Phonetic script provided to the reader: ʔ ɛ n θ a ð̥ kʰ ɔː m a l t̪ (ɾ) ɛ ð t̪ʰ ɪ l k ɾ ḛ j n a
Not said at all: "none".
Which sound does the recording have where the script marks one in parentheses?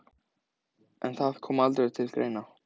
ɾ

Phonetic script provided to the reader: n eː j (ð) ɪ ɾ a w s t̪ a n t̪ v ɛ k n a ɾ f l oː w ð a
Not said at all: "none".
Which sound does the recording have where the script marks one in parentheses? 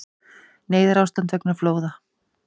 ð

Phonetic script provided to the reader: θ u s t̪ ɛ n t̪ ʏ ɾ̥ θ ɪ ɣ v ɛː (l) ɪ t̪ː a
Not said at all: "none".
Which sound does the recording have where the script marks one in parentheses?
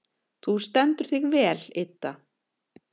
l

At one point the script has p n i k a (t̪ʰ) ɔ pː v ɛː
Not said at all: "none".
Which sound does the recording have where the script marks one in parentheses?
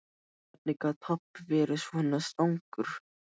t̪ʰ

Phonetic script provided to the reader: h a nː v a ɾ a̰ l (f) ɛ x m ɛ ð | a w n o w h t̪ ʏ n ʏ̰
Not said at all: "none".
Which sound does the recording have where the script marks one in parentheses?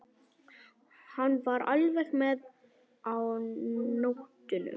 v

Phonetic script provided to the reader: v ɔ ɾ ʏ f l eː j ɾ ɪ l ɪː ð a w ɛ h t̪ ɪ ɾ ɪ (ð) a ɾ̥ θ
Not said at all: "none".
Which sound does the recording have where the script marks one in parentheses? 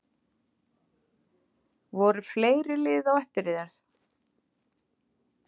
ð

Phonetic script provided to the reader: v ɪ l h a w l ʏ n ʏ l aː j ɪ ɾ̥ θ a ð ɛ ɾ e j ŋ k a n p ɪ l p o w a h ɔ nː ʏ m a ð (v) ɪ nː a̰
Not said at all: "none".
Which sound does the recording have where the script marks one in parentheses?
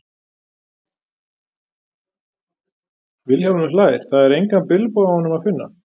f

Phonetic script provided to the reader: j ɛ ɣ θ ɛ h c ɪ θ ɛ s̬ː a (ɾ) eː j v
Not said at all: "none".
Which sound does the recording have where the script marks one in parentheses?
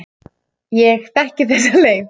l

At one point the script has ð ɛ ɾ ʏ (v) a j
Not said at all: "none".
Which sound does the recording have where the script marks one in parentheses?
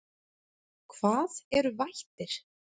v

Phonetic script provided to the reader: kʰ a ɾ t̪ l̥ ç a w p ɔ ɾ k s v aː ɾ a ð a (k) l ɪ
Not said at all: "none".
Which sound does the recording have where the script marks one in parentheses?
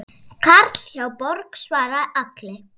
k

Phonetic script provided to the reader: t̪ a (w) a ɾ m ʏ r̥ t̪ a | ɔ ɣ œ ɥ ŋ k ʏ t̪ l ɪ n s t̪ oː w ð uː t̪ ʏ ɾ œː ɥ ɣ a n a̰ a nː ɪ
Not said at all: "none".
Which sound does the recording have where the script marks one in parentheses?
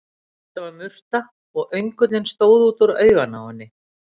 v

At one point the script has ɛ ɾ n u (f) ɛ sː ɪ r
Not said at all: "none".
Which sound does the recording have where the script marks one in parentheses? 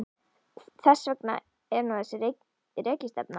θ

